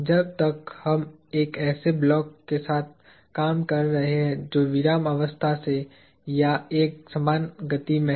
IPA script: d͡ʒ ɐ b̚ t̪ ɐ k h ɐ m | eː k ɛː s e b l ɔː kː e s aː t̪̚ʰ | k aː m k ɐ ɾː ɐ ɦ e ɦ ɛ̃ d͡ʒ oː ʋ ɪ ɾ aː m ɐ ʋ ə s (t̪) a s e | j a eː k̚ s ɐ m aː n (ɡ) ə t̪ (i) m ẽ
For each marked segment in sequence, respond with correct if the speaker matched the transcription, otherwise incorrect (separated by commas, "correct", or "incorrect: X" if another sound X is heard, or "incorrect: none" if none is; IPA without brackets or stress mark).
incorrect: t̪ʰ, correct, correct